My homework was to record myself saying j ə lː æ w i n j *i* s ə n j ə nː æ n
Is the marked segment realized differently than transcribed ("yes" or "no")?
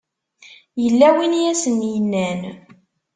yes